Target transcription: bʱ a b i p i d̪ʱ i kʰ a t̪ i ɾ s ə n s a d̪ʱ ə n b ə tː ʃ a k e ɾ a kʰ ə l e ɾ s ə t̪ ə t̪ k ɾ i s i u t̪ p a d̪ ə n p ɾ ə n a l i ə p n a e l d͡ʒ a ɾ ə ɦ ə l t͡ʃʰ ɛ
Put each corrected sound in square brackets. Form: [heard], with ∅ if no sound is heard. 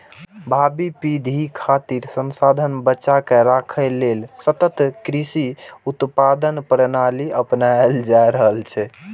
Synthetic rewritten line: bʱ a b i p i d̪ʱ i kʰ a t̪ i ɾ s ə n s a d̪ʱ ə n b ə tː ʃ a k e ɾ a kʰ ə l e [l] s ə t̪ ə t̪ k ɾ i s i u t̪ p a d̪ ə n p ɾ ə n a l i ə p n a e l d͡ʒ a ɾ ə ɦ ə l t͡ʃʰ ɛ